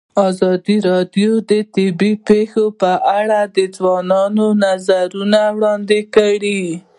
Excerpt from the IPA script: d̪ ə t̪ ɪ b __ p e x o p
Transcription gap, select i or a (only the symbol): i